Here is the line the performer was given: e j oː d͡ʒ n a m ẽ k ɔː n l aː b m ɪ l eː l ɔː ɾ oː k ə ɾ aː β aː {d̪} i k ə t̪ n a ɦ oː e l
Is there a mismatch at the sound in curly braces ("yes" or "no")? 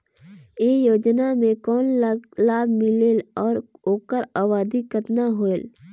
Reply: no